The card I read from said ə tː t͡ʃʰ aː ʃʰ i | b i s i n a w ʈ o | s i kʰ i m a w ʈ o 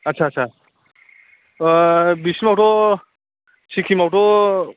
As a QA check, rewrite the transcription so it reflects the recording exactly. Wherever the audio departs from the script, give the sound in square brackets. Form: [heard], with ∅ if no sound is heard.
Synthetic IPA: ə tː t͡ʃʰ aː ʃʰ [a] | b i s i [m] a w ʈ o | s i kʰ i m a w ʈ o